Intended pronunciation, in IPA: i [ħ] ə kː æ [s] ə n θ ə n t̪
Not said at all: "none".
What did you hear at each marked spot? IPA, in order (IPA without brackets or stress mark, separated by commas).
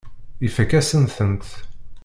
f, s